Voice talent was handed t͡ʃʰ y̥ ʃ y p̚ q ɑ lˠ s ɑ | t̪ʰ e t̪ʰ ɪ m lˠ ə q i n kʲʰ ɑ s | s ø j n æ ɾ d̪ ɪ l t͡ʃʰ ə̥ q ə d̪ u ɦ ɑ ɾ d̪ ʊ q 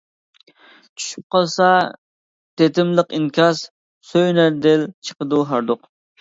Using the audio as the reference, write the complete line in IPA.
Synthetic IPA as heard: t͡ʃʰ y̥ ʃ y p̚ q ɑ lˠ s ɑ | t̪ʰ e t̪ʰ ɪ m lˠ ə q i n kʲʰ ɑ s | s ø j n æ ɾ d̪ ɪ l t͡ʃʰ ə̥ q ə d̪ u ɦ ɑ ɾ d̪ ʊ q